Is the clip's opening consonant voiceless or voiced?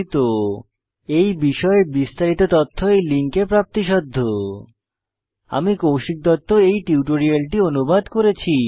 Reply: voiceless